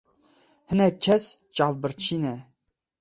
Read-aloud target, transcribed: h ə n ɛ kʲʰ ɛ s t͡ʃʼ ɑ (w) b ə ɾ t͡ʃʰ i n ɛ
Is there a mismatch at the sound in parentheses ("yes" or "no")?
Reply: yes